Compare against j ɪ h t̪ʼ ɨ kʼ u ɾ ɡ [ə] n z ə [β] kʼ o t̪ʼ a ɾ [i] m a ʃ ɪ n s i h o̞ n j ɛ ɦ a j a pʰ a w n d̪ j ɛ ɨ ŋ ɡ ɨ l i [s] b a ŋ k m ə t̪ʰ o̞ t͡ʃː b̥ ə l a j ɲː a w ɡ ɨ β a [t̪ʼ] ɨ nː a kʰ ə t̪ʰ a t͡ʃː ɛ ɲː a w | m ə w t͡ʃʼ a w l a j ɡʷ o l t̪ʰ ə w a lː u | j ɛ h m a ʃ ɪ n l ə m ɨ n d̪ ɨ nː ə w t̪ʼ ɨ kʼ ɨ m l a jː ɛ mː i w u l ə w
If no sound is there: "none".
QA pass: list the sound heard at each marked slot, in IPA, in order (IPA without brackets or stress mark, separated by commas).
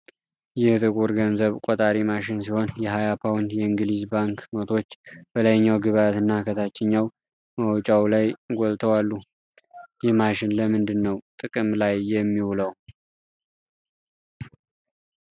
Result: ə, β, i, z, t̪